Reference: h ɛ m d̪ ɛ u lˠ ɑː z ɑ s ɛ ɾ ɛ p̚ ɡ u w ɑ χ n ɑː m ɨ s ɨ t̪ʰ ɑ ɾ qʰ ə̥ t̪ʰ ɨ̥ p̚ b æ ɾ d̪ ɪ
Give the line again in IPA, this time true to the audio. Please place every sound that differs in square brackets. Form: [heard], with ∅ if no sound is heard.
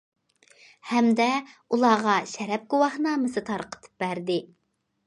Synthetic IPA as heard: h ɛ m d̪ ɛ u lˠ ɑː [ʁ] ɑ [ʃ] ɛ ɾ ɛ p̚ ɡ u w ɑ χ n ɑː m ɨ s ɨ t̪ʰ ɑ ɾ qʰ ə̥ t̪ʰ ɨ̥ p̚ b æ ɾ d̪ ɪ

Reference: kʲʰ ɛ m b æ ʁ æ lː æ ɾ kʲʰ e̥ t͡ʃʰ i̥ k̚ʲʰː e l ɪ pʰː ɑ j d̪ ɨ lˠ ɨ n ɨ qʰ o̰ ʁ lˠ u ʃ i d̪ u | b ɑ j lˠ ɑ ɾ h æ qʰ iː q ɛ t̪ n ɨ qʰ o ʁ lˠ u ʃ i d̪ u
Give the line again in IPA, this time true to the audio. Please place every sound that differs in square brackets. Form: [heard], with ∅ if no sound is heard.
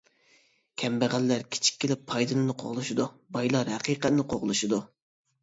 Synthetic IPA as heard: kʲʰ ɛ m b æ ʁ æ lː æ ɾ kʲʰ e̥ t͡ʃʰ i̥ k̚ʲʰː e l ɪ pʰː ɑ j d̪ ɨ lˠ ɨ n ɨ qʰ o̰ ʁ lˠ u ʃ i d̪ u | b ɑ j lˠ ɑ ɾ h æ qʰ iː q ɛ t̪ n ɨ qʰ o ʁ lˠ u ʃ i d̪ u

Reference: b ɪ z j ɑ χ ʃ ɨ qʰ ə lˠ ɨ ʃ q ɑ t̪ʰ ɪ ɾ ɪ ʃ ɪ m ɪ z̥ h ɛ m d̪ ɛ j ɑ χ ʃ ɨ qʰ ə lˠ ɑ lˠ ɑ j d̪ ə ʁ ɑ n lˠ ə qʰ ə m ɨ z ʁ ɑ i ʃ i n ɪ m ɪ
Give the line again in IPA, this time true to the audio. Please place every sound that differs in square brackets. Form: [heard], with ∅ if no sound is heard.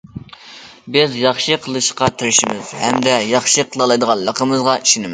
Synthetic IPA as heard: b ɪ z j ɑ χ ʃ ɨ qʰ ə lˠ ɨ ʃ q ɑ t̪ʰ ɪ ɾ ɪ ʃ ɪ m ɪ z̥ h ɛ m d̪ ɛ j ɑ χ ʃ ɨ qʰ ə lˠ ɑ lˠ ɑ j d̪ ə ʁ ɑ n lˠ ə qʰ ə m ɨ z ʁ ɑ i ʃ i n ɪ m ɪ

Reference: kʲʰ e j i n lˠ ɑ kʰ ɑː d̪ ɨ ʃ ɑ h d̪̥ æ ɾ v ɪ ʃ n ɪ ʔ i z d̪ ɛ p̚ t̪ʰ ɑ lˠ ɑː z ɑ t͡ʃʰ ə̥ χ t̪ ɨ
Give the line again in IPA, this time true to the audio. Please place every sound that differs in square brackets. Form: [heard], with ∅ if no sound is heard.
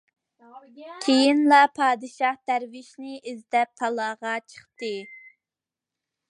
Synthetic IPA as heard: kʲʰ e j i n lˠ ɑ [pʰ] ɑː d̪ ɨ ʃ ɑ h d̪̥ æ ɾ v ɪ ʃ n ɪ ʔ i z d̪ ɛ p̚ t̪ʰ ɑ lˠ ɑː [ʁ] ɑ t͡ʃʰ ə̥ χ t̪ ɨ

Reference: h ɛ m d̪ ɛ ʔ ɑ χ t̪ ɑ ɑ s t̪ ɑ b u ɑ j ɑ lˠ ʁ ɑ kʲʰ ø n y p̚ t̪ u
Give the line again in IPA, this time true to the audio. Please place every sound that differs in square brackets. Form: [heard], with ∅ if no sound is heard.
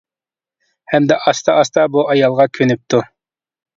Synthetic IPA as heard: h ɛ m d̪ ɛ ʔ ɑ [s] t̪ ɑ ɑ s t̪ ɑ b u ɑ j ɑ lˠ ʁ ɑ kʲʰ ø n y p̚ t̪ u

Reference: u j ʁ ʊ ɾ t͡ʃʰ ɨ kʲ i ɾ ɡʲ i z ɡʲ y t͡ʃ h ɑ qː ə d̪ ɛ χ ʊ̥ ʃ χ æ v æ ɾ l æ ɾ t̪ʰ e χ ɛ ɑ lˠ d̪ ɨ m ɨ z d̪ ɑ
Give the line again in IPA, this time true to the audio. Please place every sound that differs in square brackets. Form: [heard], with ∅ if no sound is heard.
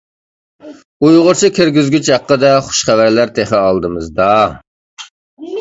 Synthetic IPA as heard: u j ʁ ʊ ɾ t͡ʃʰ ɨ kʲ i ɾ ɡʲ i z ɡʲ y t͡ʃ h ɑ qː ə d̪ ɛ χ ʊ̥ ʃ χ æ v æ ɾ l æ ɾ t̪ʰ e χ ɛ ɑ lˠ d̪ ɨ m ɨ z d̪ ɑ

